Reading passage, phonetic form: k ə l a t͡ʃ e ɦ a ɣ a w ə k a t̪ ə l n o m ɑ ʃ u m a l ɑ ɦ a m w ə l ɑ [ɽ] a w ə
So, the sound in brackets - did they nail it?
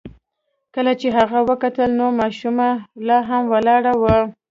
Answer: yes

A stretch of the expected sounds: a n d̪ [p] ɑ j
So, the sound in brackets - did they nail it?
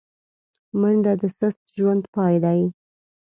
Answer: yes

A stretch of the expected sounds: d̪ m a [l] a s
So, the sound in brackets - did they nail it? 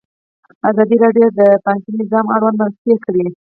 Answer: no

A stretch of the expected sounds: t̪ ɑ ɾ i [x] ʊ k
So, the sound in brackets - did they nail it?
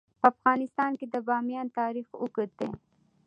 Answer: yes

